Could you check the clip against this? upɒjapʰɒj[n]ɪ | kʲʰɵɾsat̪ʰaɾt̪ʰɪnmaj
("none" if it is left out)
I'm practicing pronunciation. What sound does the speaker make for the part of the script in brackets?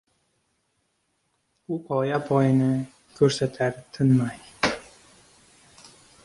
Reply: n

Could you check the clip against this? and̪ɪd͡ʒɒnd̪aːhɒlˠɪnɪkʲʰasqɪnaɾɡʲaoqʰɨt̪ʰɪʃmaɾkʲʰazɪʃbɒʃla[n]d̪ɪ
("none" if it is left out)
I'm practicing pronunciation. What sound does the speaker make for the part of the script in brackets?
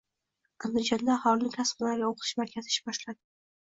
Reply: none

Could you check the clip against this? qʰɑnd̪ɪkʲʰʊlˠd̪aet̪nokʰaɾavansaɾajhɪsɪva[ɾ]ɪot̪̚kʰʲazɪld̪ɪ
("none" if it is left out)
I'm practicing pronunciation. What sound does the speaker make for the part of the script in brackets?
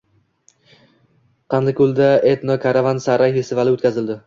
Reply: l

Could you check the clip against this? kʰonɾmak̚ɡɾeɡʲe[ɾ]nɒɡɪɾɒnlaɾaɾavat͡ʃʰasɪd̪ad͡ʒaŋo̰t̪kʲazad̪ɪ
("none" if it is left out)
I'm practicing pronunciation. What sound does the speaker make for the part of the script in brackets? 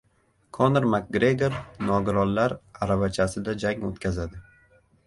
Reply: ɾ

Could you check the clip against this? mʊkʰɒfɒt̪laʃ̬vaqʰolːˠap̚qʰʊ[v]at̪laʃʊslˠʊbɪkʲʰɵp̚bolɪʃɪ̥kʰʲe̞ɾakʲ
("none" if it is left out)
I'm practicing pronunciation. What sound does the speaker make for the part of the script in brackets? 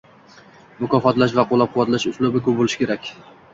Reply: w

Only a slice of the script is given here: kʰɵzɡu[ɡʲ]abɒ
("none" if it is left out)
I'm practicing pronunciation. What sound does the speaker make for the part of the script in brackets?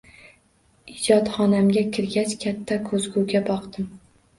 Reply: ɡʲ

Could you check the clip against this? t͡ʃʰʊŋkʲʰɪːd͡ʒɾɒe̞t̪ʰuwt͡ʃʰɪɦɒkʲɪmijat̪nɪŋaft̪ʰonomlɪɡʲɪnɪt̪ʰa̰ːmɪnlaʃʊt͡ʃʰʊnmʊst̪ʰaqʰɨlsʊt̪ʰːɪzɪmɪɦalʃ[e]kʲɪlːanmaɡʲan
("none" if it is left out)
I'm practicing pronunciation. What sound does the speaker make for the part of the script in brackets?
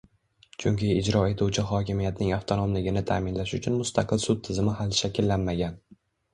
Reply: a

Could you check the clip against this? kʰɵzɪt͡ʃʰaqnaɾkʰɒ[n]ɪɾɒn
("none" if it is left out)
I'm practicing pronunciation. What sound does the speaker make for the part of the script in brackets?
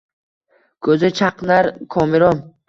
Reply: m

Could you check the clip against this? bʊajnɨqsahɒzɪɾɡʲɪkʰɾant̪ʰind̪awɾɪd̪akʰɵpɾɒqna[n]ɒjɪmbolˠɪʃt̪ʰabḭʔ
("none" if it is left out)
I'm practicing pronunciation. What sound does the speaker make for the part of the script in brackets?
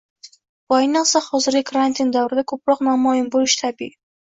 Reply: m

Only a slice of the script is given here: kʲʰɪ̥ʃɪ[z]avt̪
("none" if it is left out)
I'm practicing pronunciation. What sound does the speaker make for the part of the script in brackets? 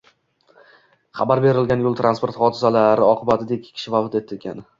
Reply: v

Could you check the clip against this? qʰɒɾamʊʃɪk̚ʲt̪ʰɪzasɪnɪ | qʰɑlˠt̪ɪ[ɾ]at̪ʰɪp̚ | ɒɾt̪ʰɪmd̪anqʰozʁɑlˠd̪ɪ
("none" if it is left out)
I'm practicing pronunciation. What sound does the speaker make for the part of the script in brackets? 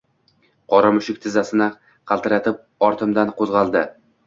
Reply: ɾ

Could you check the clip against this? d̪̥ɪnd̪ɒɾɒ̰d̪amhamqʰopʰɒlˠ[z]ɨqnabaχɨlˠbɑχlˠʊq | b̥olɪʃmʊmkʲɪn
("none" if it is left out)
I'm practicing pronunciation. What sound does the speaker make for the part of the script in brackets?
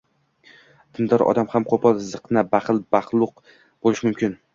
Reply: z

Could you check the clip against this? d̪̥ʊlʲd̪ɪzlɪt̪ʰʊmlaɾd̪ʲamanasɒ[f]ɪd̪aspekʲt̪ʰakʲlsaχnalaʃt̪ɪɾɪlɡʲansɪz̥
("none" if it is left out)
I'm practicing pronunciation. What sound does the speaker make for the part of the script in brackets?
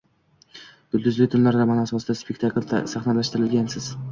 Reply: s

